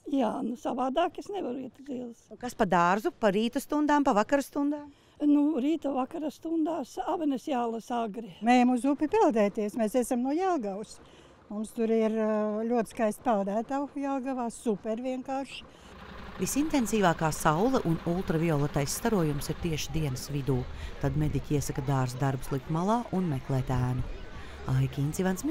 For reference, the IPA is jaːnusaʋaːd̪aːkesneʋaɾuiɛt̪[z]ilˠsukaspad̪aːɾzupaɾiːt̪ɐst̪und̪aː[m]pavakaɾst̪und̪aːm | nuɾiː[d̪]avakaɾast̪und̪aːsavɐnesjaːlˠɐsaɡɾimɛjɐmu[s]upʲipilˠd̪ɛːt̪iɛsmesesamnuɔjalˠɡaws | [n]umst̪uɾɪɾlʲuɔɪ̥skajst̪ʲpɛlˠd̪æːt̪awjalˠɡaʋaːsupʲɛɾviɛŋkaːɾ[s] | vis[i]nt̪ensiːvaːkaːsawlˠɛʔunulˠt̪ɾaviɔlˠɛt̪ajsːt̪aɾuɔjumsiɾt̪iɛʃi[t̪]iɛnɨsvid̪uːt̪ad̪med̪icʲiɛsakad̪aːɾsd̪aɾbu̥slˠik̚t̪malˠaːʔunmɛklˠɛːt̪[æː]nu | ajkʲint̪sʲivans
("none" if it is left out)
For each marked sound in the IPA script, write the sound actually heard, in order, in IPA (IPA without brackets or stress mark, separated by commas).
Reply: z, m, t̪, z, m, ʃ, i, d̪, æː